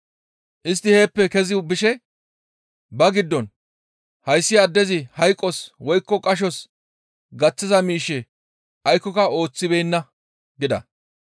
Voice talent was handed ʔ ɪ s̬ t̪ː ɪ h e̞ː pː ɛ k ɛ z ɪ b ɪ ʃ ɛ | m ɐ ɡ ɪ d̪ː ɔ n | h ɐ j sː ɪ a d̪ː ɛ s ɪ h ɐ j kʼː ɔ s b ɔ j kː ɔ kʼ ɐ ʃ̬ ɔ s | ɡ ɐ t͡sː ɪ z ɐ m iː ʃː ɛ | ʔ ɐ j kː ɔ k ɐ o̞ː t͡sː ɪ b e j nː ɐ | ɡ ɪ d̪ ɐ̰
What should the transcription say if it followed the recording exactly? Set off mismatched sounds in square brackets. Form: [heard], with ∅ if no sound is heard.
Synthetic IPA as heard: ʔ ɪ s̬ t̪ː ɪ h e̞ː pː ɛ k ɛ z ɪ b ɪ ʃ ɛ | [b] ɐ ɡ ɪ d̪ː ɔ n | h ɐ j sː ɪ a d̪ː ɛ [z] ɪ h ɐ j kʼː ɔ s [w] ɔ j kː ɔ kʼ ɐ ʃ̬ ɔ s | ɡ ɐ t͡sː ɪ z ɐ m iː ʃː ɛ | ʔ ɐ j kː ɔ k ɐ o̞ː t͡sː ɪ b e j nː ɐ | ɡ ɪ d̪ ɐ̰